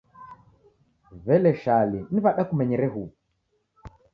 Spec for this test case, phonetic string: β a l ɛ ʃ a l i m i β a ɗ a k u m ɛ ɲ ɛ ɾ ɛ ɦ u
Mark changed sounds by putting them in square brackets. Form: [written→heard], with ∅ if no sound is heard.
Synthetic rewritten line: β [a→ɛ] l ɛ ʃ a l i [m→n] i β a ɗ a k u m ɛ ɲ ɛ ɾ ɛ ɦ u